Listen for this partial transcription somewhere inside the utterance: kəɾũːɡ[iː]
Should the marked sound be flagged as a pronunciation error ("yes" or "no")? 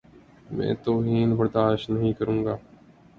yes